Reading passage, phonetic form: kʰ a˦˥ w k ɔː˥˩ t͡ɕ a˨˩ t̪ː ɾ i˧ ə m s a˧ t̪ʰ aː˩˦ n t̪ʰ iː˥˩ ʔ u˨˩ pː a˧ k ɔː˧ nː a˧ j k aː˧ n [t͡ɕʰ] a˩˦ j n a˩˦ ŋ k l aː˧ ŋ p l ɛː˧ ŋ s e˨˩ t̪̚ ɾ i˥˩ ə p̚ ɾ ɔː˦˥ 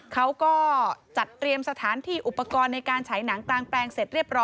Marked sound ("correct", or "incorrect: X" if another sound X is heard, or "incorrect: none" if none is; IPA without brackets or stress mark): correct